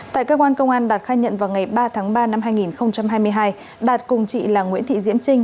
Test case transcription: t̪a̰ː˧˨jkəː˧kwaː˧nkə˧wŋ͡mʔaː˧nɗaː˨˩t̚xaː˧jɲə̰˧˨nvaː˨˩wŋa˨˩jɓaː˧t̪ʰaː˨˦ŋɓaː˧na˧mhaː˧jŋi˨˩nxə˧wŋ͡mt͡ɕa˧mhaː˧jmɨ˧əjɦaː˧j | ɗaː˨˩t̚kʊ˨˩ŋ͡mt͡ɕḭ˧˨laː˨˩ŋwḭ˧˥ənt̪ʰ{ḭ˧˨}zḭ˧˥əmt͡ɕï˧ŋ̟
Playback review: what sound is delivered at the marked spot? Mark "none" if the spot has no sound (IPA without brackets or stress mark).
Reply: ḭ˧˨